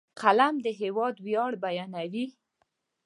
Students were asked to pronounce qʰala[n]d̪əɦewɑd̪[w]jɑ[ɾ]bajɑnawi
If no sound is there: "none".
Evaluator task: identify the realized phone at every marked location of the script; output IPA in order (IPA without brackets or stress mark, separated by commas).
m, w, ɽ